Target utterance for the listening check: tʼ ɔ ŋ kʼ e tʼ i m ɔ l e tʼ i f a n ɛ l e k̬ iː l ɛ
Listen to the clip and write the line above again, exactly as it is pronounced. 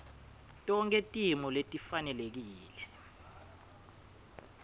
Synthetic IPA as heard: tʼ ɔ ŋ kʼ e tʼ i m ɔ l e tʼ i f a n ɛ l e k̬ iː l ɛ

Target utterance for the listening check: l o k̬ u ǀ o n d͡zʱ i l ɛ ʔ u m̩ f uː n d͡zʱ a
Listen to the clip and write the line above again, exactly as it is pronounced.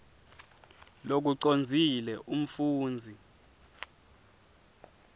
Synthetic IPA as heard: l o k̬ u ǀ o n d͡zʱ i l ɛ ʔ u m̩ f uː n d͡zʱ i

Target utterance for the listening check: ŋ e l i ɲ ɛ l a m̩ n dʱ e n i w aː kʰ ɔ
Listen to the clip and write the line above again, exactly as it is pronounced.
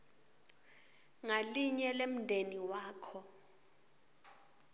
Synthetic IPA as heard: ŋ a l i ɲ ɛ l e m̩ n dʱ e n i w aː kʰ ɔ

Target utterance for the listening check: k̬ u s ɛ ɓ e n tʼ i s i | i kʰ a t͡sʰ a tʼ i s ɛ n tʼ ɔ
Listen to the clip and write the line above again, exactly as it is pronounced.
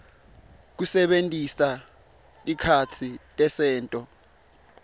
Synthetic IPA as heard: k̬ u s ɛ ɓ e n tʼ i s a | i kʰ a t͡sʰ i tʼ ɛ s ɛː n tʼ ɔ

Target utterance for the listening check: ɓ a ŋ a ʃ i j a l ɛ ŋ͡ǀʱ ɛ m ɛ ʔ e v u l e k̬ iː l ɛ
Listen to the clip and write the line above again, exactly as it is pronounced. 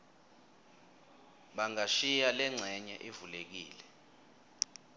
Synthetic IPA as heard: ɓ a ŋ a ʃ i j a l ɛ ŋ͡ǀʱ ɛ ɲ ɛ ʔ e v u l e k̬ iː l ɛ

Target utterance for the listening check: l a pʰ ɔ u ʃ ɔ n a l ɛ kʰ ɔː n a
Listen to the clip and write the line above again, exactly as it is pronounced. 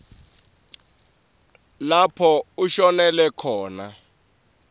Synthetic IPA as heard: l a pʰ ɔ u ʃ ɔ n ɛ l ɛ kʰ ɔː n a

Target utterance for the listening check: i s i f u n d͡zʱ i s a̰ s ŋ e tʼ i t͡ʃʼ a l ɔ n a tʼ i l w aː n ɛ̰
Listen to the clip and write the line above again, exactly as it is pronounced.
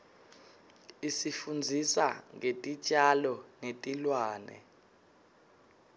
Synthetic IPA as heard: i s i f u n d͡zʱ i s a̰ ŋ e tʼ i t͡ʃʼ a l ɔ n e tʼ i l w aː n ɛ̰

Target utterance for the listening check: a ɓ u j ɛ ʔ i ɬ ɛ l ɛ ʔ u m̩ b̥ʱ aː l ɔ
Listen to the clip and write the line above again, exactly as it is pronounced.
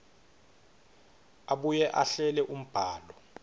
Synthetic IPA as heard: a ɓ u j ɛ ʔ a ɬ ɛ l ɛ ʔ u m̩ b̥ʱ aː l ɔ

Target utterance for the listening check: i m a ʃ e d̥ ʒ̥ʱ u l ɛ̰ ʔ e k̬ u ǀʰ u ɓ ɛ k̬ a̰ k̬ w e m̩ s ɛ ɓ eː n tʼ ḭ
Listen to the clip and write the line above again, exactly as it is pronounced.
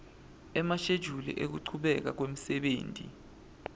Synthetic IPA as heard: ɛ m a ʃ e d̥ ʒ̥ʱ u l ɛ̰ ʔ e k̬ u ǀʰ u ɓ ɛ k̬ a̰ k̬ w e m̩ s ɛ ɓ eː n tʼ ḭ

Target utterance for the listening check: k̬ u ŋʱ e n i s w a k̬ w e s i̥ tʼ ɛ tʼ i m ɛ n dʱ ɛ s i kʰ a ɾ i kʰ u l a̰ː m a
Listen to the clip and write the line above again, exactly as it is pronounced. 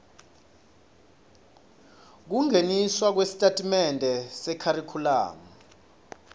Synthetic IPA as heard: k̬ u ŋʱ e n i s w a k̬ w e s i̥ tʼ a tʼ i m ɛ n dʱ ɛ s ɛ kʰ a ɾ i kʰ u l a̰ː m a

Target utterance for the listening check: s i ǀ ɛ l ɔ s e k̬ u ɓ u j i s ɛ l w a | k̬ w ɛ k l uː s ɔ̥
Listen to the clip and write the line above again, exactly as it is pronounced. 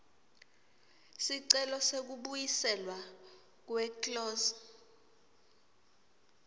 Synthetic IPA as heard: s i ǀ ɛ l ɔ s e k̬ u ɓ u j i s ɛ l w a | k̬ w ɛ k l ɔː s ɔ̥

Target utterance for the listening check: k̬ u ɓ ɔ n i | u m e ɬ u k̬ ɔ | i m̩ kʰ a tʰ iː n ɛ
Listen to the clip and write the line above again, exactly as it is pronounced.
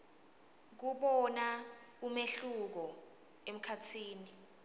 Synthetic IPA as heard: k̬ u ɓ ɔ n a | u m e ɬ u k̬ ɔ | e m̩ kʰ a tʰ iː n i

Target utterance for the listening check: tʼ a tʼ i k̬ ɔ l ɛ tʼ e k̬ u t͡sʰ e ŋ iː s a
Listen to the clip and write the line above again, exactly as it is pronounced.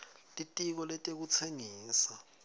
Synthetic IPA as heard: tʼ i tʼ i k̬ ɔ l ɛ tʼ e k̬ u t͡sʰ e ŋ iː s a

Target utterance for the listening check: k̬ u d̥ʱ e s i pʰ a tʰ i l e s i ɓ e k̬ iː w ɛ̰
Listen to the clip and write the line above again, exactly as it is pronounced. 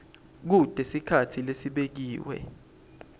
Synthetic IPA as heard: k̬ u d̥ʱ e s i kʰ a tʰ i l e s i ɓ e k̬ iː w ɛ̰

